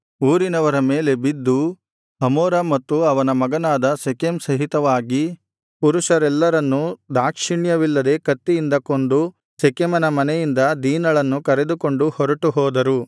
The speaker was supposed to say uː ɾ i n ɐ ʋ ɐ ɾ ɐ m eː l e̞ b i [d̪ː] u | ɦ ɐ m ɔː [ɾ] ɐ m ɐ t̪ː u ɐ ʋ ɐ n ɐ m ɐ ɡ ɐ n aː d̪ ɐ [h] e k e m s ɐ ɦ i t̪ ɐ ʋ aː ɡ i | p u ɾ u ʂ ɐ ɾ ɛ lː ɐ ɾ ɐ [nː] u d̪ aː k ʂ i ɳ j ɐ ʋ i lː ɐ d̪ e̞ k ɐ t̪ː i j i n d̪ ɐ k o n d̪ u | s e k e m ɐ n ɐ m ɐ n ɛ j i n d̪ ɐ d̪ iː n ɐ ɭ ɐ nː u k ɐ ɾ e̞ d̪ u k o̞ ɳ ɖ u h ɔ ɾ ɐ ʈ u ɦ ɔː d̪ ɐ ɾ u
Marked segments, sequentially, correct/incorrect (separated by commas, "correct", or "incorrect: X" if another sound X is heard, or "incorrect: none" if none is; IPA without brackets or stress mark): correct, correct, incorrect: s, correct